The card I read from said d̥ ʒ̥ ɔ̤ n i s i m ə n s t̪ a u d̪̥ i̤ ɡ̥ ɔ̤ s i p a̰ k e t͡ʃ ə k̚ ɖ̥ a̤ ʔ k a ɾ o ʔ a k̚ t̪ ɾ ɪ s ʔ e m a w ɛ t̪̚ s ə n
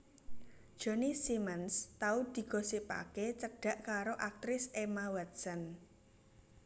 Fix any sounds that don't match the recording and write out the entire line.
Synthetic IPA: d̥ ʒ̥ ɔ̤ n i s i m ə n s t̪ a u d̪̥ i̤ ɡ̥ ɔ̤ s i p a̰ k e t͡ʃ ə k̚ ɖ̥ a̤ ʔ k a ɾ o ʔ a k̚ t̪ ɾ ɪ s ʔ e m a w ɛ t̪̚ s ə n